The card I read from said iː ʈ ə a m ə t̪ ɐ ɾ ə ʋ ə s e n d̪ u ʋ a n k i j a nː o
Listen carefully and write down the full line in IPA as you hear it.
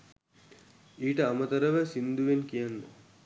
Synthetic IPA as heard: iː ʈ ə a m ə t̪ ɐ ɾ ə ʋ ə s i n d̪ u ʋ e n k i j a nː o